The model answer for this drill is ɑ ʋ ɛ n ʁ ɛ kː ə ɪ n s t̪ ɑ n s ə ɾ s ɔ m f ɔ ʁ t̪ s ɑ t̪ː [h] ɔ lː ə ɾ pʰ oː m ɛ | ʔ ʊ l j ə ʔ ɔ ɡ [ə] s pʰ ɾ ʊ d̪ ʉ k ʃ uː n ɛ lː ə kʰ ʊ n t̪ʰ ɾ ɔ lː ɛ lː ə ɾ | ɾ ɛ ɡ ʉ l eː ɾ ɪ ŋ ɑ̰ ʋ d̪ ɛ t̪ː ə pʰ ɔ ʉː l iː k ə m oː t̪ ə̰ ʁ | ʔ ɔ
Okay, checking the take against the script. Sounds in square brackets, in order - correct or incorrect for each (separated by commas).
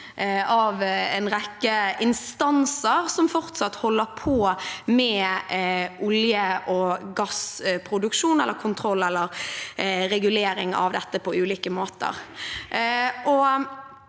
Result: correct, incorrect